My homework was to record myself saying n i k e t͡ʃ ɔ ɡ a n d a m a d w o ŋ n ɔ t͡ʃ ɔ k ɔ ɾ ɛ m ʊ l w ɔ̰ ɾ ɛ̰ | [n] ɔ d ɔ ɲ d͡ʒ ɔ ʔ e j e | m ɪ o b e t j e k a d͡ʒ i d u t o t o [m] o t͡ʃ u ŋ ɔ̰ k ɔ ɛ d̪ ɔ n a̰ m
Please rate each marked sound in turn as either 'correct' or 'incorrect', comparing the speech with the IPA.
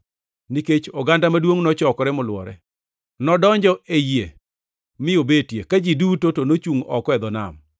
correct, incorrect: n

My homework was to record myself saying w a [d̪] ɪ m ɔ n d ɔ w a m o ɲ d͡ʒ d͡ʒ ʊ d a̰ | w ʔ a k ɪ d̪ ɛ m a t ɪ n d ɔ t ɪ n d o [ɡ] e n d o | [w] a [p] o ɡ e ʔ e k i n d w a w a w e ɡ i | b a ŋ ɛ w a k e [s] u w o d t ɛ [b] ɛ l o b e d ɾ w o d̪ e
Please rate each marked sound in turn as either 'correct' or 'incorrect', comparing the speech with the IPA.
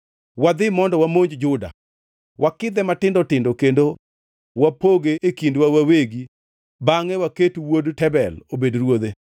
correct, incorrect: k, correct, correct, incorrect: t, correct

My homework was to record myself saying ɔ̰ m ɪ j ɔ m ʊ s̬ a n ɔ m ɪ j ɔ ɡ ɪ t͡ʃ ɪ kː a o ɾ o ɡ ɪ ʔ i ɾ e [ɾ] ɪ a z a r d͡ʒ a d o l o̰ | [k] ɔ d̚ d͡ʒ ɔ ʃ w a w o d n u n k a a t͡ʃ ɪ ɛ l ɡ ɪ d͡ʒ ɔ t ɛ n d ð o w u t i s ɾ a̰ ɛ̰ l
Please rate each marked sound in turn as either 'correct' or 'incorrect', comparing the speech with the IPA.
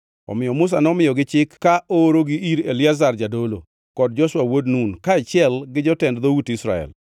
incorrect: l, correct

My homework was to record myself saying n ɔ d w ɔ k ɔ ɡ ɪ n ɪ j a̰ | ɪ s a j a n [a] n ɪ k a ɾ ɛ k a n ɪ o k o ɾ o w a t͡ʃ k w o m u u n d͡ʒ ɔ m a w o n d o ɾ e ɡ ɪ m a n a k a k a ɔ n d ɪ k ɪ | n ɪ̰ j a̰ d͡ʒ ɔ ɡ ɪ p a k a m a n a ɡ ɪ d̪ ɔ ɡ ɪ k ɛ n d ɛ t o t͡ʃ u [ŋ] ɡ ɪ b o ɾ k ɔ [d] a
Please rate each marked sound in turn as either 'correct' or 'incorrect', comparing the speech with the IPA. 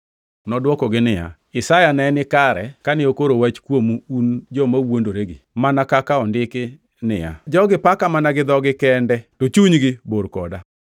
incorrect: ɛ, incorrect: ɲ, correct

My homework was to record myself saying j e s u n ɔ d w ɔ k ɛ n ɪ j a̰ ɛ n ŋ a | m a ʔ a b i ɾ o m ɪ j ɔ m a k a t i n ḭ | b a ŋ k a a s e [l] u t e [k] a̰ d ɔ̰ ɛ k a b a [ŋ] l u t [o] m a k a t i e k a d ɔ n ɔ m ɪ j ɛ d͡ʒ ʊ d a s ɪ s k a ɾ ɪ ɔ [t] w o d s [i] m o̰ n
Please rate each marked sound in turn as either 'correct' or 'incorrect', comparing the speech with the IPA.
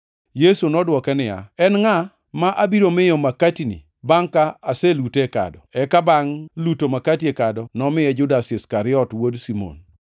correct, correct, correct, correct, correct, correct

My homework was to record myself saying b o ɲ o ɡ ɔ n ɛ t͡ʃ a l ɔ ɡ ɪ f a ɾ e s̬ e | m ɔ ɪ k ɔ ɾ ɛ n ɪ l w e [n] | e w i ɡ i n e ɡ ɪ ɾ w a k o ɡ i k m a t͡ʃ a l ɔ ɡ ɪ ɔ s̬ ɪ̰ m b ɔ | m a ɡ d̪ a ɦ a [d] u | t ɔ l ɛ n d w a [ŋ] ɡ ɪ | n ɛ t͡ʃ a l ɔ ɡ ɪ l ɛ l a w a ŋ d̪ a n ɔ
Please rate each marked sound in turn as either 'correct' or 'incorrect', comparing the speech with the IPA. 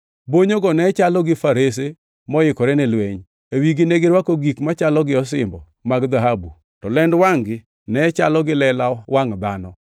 incorrect: ɲ, incorrect: b, correct

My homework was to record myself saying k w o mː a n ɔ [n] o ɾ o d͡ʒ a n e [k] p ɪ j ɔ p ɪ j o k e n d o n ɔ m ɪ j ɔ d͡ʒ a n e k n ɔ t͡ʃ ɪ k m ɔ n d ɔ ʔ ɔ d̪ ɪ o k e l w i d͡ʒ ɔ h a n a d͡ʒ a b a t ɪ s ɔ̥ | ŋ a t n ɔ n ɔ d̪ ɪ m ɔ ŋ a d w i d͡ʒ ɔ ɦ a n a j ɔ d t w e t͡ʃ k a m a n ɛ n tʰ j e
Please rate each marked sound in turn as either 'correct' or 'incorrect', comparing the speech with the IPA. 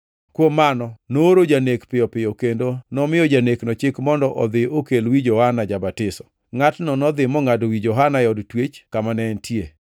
correct, correct

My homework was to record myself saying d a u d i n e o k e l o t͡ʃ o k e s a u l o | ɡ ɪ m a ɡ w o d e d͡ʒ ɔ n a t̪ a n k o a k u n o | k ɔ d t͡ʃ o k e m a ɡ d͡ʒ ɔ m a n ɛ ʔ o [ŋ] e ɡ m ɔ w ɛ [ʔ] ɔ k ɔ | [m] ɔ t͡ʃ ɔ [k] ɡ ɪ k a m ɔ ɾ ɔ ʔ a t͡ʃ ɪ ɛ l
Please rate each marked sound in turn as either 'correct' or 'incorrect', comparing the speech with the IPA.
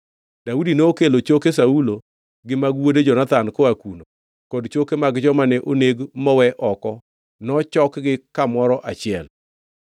incorrect: n, correct, incorrect: n, correct

